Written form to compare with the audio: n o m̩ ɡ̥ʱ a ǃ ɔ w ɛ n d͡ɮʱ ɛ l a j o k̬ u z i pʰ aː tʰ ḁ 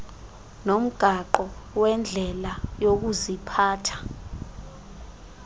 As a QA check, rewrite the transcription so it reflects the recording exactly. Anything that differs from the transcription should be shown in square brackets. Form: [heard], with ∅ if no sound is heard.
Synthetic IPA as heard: n o m̩ ɡ̥ʱ a ǃ ɔ w ɛ n d͡ɮʱ ɛ l a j o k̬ u z i pʰ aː tʰ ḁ